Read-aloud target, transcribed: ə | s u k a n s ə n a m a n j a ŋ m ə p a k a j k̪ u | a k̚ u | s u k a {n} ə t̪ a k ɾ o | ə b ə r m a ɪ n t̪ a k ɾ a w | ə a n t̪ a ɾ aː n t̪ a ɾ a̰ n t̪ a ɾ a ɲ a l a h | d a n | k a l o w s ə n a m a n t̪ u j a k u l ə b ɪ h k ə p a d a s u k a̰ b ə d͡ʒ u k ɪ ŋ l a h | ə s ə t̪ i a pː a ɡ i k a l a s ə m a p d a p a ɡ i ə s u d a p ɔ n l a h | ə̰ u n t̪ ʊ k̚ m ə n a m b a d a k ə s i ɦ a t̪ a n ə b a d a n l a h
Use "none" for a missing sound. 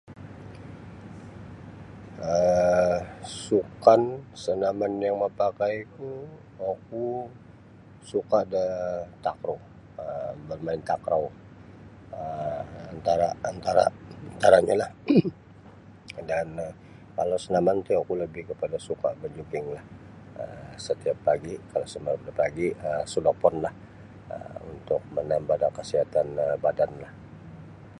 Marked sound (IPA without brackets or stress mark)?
d